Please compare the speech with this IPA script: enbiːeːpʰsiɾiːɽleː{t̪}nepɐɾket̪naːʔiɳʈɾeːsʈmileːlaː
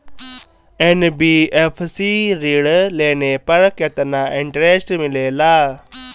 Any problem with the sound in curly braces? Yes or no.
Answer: yes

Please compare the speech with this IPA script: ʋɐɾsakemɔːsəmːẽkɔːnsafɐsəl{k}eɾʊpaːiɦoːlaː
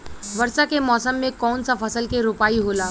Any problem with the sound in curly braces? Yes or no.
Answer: no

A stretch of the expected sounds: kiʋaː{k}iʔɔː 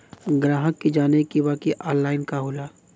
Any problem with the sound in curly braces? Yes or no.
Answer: no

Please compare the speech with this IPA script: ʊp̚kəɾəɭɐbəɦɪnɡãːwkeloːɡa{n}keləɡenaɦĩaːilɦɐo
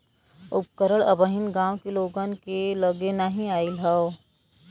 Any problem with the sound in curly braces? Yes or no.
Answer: no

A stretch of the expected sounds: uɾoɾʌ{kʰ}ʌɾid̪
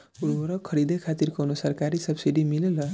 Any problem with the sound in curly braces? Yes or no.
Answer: no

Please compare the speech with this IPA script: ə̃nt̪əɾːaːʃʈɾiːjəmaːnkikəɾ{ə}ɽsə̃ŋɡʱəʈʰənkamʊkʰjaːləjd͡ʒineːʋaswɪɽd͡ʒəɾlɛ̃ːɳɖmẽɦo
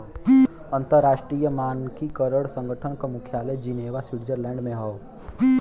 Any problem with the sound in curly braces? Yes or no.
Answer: no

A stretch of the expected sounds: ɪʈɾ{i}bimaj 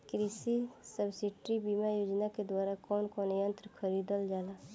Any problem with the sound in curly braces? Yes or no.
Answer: no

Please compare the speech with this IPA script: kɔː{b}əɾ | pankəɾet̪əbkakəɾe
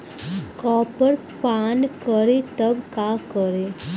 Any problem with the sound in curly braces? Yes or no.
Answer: yes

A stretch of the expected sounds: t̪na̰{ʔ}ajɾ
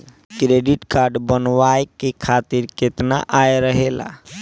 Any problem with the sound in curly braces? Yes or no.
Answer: no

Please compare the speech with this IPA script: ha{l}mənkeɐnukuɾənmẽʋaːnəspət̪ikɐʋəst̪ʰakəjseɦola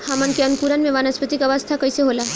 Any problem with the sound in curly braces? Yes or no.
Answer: yes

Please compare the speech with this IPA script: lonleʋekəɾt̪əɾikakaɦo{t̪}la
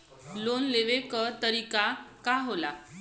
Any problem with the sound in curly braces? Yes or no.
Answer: yes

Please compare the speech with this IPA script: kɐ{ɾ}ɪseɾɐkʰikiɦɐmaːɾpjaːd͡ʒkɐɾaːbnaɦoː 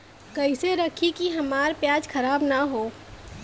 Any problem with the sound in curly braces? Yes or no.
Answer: yes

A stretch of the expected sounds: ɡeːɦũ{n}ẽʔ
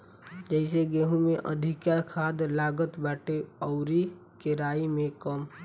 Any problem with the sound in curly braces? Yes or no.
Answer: yes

